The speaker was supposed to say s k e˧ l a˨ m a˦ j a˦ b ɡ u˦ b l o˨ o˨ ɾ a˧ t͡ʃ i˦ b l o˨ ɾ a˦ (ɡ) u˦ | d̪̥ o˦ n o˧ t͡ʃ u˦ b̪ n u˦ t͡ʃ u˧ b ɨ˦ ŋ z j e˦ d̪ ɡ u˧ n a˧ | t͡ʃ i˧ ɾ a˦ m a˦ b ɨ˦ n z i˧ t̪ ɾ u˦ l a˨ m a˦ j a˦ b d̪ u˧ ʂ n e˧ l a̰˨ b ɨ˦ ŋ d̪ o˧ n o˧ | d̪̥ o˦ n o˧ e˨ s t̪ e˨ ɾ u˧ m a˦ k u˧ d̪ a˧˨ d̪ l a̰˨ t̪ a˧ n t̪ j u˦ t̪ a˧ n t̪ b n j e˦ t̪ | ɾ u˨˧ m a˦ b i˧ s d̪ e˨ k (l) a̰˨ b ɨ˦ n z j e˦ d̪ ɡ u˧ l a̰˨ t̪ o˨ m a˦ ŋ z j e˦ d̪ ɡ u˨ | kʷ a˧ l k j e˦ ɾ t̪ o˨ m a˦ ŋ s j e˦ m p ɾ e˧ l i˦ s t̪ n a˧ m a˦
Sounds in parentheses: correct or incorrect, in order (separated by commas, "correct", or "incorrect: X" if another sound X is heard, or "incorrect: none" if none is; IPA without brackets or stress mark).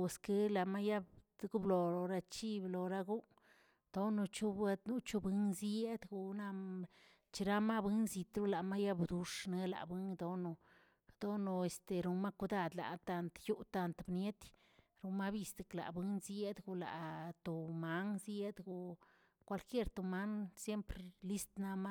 correct, correct